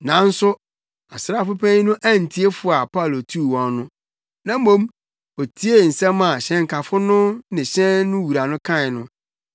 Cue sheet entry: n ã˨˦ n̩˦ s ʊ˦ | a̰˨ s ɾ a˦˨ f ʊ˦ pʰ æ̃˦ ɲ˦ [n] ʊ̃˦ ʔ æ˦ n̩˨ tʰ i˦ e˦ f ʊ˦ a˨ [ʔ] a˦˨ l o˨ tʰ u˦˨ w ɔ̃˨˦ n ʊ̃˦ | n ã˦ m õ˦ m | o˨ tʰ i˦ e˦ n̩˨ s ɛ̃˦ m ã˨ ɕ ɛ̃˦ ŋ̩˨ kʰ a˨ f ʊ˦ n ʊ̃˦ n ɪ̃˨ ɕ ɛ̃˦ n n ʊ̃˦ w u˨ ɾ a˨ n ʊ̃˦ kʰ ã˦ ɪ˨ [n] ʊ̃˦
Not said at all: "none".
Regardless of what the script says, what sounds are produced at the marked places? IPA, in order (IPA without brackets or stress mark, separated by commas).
n, p, n